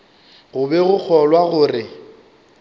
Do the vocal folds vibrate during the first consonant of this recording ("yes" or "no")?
yes